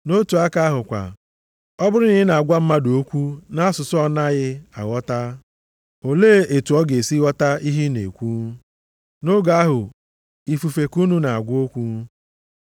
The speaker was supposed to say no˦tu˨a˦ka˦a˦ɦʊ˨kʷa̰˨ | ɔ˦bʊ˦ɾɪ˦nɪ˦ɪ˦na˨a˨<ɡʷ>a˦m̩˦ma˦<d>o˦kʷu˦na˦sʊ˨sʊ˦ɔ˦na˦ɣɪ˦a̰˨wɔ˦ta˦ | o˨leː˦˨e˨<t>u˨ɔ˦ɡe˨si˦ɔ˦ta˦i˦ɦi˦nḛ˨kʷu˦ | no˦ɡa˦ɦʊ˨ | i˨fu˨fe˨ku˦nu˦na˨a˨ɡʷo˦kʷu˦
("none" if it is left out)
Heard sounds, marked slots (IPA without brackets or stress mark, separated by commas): ɡʷ, d, t